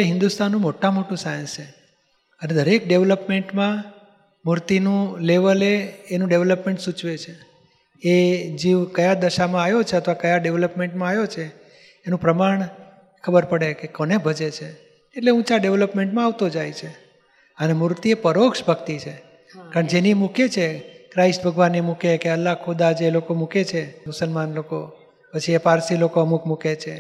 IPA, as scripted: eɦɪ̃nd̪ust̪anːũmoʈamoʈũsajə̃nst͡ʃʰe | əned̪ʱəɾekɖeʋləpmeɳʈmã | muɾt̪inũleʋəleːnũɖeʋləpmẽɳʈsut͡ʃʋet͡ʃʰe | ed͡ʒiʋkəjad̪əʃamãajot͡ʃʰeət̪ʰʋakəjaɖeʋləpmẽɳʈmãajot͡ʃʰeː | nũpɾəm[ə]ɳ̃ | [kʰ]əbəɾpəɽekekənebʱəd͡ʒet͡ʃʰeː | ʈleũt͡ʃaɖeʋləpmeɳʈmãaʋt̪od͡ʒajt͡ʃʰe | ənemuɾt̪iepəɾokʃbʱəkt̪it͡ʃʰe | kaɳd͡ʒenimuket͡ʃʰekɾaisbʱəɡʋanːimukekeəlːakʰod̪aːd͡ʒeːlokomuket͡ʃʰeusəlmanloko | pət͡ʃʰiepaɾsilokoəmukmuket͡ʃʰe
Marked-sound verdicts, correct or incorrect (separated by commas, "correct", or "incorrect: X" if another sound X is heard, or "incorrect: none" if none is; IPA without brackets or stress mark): incorrect: a, correct